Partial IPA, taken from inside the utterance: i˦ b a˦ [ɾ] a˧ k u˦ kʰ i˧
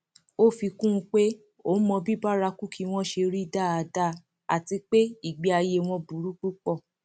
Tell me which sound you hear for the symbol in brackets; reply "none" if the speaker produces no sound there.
ɾ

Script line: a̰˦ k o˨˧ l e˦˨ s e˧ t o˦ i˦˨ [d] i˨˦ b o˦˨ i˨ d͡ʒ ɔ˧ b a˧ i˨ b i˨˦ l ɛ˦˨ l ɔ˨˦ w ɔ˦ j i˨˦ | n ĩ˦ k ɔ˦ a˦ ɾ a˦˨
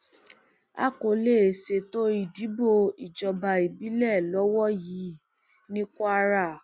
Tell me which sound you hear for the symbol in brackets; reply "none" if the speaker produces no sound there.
d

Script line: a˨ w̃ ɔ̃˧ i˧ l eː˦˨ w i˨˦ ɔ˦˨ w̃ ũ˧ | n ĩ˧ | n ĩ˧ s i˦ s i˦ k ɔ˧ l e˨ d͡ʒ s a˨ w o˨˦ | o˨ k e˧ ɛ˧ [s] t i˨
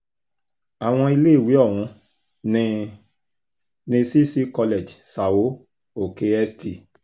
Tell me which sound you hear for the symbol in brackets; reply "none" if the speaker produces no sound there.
s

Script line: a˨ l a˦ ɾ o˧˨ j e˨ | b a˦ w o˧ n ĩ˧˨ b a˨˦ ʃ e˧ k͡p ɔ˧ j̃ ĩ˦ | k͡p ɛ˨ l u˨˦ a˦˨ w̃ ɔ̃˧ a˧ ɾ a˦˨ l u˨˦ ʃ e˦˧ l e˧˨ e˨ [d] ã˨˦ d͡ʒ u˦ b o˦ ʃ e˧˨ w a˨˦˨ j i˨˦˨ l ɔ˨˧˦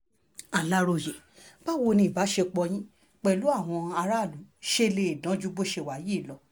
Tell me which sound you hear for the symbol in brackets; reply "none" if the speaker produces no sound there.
d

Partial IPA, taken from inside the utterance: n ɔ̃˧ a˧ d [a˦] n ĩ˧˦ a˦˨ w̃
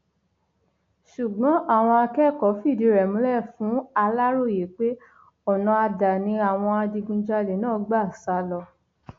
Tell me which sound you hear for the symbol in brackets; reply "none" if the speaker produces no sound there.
a˨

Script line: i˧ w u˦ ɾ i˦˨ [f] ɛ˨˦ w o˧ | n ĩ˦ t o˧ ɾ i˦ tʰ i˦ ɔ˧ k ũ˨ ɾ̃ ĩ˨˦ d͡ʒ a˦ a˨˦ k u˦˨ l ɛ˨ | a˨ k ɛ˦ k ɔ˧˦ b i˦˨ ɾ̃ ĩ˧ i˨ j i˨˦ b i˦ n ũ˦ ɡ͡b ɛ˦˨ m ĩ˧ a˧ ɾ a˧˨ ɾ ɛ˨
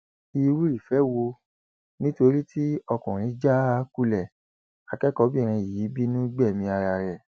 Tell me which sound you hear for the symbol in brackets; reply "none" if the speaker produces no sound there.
f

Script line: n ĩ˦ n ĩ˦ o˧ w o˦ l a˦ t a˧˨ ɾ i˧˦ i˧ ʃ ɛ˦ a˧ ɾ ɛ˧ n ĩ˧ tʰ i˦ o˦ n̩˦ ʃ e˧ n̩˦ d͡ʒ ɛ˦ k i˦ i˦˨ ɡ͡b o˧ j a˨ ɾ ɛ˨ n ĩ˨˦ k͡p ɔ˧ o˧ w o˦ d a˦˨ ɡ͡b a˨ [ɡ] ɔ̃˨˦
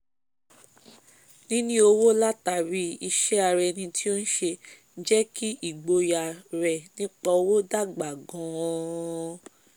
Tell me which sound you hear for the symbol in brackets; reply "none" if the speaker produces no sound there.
ɡ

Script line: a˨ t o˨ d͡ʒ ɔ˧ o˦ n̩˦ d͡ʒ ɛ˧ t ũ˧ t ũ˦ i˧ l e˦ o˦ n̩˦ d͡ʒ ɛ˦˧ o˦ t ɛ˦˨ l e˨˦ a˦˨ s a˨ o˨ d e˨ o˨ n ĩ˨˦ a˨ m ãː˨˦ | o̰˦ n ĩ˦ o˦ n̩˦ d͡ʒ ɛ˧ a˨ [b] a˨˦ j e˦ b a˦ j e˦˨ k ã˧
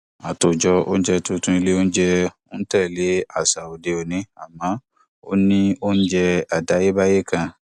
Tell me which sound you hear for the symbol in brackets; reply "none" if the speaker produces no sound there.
d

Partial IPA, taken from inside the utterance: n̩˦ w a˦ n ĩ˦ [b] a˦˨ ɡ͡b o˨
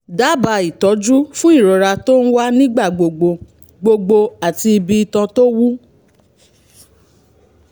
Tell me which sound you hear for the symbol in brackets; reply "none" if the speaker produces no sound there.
ɡ͡b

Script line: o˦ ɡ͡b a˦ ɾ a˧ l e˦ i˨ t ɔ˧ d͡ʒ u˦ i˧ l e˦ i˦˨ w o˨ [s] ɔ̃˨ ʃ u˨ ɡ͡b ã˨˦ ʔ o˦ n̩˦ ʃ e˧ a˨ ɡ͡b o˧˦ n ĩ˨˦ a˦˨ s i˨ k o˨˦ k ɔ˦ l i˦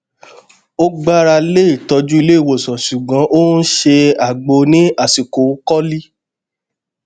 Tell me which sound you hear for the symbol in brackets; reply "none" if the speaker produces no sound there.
s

